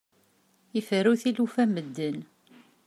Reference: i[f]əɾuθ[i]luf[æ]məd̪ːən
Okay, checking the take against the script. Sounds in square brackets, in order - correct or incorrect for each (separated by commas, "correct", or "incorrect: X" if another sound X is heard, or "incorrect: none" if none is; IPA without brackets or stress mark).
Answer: correct, correct, correct